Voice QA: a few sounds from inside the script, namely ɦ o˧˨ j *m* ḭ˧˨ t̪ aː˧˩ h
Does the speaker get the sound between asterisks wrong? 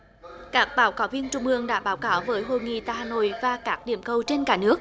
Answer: yes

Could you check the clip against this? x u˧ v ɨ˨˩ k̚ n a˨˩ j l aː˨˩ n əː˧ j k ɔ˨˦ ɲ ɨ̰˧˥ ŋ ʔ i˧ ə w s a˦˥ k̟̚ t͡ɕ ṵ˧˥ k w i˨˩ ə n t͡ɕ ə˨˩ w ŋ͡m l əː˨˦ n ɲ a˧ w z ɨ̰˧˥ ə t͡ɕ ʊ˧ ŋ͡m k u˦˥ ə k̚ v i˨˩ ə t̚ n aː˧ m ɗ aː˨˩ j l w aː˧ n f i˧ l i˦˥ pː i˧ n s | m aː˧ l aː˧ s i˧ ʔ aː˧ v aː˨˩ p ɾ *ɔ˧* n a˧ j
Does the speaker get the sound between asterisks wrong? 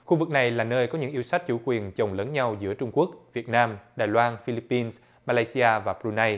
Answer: yes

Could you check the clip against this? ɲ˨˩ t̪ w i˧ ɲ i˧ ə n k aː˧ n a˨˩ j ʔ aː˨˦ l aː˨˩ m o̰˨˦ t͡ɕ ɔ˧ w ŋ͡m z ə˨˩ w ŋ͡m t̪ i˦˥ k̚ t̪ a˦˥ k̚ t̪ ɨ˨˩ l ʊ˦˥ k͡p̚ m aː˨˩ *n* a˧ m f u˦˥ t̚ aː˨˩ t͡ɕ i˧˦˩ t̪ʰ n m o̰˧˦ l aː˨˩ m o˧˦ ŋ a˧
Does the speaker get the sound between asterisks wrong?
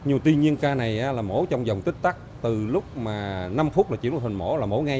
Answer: no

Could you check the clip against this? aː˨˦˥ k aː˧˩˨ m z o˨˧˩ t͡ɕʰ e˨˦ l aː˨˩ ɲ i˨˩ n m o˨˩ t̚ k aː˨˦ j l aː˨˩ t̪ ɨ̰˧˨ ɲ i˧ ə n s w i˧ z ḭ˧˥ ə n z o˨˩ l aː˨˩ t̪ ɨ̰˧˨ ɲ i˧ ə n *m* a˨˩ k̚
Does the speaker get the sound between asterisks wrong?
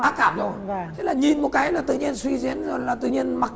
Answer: no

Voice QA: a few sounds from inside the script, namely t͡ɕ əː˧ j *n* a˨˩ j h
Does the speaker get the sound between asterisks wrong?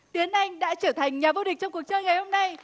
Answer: yes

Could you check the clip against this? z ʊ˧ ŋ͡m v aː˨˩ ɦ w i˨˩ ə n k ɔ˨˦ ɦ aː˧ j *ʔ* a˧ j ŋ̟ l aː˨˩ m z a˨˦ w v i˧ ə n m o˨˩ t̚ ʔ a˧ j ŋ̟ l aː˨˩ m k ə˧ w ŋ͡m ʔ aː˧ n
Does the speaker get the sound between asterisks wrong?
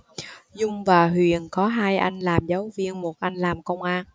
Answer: no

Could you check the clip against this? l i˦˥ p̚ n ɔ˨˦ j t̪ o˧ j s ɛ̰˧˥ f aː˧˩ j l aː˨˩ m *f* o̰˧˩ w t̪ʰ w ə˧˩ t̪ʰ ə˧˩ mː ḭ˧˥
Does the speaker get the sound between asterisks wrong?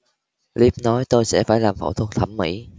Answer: no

